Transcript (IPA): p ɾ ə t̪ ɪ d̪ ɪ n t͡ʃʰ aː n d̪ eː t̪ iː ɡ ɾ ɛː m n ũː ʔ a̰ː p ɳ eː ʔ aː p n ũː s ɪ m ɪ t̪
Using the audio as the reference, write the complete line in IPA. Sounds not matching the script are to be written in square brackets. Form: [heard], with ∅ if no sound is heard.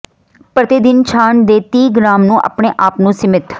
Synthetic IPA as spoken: p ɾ ə t̪ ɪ d̪ ɪ n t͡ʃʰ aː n d̪ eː t̪ iː ɡ ɾ [aː] m n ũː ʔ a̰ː p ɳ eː ʔ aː p n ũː s ɪ m ɪ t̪

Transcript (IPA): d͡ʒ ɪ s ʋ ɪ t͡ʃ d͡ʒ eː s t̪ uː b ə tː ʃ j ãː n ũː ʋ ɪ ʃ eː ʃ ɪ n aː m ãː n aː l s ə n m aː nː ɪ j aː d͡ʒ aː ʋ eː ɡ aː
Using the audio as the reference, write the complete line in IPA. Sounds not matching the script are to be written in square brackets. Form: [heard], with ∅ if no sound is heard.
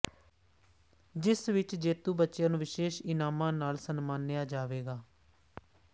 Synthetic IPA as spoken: d͡ʒ ɪ s ʋ ɪ t͡ʃ d͡ʒ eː [∅] t̪ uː b ə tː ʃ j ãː n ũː ʋ ɪ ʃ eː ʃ ɪ n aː m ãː n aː l s ə n m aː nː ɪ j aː d͡ʒ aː ʋ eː ɡ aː

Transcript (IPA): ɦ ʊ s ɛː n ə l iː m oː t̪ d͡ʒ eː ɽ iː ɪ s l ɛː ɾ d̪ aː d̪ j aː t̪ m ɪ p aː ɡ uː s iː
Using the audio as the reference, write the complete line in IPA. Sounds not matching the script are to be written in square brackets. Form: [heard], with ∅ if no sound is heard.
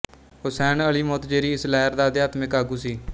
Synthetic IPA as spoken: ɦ ʊ s ɛː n ə l iː m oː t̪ d͡ʒ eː [ɾ] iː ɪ s l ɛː ɾ d̪ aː d̪ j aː t̪ m ɪ [k] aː ɡ uː s iː

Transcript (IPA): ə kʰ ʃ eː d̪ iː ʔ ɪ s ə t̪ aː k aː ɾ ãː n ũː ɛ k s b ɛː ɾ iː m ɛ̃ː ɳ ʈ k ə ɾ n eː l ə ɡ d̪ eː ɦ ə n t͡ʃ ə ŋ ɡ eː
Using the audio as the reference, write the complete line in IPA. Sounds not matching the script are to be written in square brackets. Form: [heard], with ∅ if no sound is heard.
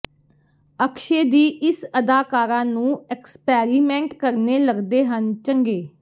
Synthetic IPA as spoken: ə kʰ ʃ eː d̪ iː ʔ ɪ s ə [d̪] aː k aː ɾ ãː n ũː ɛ k s [p] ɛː ɾ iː m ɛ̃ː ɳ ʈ k ə ɾ n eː l ə ɡ d̪ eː ɦ ə n t͡ʃ ə ŋ ɡ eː

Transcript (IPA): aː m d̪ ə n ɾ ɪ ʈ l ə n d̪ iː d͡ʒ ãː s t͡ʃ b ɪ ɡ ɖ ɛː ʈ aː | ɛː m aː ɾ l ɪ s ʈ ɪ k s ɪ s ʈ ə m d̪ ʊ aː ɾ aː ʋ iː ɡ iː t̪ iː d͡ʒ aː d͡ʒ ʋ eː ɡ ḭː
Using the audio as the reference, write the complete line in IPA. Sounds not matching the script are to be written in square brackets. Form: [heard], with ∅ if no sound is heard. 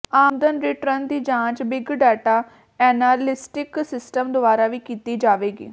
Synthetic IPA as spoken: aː m d̪ ə n ɾ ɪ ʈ [ɾ] ə n d̪ iː d͡ʒ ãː [∅] t͡ʃ b ɪ ɡ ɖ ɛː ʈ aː | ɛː [n] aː ɾ l ɪ s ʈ ɪ k s ɪ s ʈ ə m d̪ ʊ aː ɾ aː ʋ iː [k] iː t̪ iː d͡ʒ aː [∅] ʋ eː ɡ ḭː

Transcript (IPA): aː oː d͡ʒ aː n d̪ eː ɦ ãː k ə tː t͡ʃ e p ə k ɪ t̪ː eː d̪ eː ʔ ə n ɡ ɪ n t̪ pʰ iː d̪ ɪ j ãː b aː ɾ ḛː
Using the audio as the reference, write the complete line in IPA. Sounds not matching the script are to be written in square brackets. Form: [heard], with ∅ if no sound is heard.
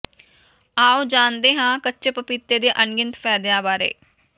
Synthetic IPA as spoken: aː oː d͡ʒ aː n d̪ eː ɦ ãː k ə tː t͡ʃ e p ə [p] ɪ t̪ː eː d̪ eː ʔ ə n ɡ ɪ n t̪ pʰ [ɛː] d̪ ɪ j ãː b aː ɾ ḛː

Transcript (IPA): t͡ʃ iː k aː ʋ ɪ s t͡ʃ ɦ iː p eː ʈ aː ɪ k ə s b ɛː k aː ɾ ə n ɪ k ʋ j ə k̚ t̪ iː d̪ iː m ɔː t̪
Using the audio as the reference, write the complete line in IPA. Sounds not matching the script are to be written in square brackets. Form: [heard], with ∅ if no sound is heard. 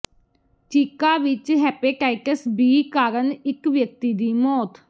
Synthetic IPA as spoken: t͡ʃ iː k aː ʋ ɪ [∅] t͡ʃ ɦ [ɛː] p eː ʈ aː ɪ k ə s b [iː] k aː ɾ ə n ɪ k ʋ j ə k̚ t̪ iː d̪ iː m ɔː t̪

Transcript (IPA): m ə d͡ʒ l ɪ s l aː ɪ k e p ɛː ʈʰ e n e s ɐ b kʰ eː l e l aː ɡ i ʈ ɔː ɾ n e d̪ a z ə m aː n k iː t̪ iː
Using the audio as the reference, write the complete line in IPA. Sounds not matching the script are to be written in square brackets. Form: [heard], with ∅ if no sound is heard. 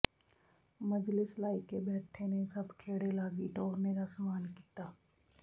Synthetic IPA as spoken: m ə d͡ʒ l ɪ s l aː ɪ k e [b] ɛː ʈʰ e n e s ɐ b kʰ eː [ɽ] e l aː ɡ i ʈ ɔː ɾ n e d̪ a [s] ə m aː n k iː t̪ [aː]

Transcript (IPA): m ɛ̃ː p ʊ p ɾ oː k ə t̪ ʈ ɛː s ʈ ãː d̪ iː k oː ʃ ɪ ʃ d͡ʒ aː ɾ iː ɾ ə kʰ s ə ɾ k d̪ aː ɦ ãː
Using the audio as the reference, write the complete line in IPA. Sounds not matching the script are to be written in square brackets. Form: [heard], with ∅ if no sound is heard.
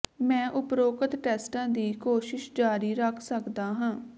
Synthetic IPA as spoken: m ɛ̃ː [ʔ] ʊ p ɾ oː k ə t̪ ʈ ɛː s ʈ ãː d̪ iː k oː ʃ ɪ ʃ d͡ʒ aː ɾ iː ɾ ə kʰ s ə [∅] k d̪ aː ɦ ãː

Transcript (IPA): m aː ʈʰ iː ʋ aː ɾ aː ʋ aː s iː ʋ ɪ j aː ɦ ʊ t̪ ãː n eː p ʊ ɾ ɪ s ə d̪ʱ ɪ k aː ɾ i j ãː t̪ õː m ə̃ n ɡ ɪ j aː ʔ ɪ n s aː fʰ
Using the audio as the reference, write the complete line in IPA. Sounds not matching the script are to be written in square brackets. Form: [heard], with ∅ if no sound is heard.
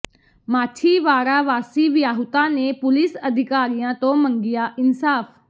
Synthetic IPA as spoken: m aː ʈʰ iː ʋ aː ɾ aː ʋ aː s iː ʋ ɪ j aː ɦ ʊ t̪ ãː n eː p ʊ [l] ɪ s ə d̪ʱ ɪ k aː ɾ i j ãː t̪ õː m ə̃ [ŋ] ɡ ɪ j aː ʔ ɪ n s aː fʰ

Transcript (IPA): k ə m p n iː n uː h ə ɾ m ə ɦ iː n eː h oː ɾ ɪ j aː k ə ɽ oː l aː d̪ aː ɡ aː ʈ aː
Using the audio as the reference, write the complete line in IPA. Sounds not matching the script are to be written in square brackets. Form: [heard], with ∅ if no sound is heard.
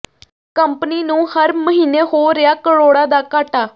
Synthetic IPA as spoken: k ə m p n iː n [ũː] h ə ɾ m ə ɦ iː n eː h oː ɾ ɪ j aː k ə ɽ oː [ɽ] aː d̪ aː [k] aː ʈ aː

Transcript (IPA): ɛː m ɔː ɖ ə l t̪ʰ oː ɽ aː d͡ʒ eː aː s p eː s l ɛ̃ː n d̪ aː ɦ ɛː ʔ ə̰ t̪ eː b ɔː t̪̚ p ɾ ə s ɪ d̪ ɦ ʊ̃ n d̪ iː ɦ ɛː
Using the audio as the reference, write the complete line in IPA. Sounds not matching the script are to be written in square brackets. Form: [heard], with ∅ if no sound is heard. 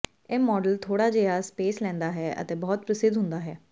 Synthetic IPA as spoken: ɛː m ɔː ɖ ə l t̪ʰ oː ɽ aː d͡ʒ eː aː s p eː s l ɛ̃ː n d̪ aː ɦ ɛː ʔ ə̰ t̪ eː b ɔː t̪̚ p ɾ ə s ɪ d̪ ɦ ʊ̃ n d̪ [aː] ɦ ɛː

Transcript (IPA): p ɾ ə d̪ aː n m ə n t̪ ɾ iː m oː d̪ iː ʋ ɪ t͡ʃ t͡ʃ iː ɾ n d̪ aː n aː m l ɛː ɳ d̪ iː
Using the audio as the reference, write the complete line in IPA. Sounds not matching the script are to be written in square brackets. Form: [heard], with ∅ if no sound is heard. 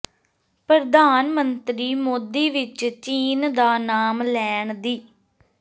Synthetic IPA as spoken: p ɾ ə d̪ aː n m ə n t̪ ɾ iː m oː d̪ iː ʋ ɪ t͡ʃ t͡ʃ iː [∅] n d̪ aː n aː m l ɛː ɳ d̪ iː

